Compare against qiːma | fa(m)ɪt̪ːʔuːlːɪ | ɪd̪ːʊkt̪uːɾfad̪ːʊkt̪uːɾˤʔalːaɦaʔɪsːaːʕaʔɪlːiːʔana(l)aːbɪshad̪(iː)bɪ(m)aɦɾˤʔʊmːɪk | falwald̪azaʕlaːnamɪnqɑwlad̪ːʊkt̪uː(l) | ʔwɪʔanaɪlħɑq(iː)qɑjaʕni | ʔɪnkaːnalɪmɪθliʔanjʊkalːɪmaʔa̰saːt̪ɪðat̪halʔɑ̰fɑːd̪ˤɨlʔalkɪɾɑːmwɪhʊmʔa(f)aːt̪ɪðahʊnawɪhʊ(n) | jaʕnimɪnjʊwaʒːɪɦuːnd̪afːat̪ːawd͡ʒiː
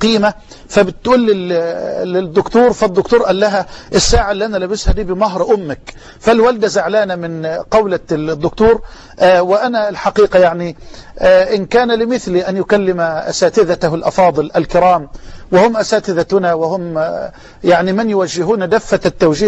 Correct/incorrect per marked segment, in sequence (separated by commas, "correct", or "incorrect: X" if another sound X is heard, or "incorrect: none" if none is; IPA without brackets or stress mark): incorrect: b, correct, correct, correct, incorrect: ɾ, correct, incorrect: s, incorrect: m